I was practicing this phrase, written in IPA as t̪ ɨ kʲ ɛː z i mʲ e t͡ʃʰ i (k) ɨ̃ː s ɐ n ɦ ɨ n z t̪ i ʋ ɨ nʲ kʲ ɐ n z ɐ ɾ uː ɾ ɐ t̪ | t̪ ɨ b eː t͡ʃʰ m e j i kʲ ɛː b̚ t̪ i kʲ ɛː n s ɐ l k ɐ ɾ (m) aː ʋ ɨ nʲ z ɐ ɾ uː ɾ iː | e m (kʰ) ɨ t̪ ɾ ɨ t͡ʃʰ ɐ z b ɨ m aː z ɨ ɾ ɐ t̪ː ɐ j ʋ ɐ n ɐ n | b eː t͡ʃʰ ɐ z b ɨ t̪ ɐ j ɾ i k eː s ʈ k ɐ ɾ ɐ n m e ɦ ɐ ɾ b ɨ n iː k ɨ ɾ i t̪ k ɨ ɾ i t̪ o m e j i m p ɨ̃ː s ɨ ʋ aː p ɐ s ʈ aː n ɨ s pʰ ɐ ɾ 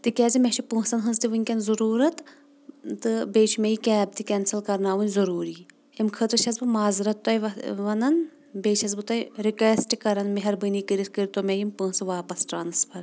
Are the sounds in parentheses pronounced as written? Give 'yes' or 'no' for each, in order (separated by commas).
no, no, yes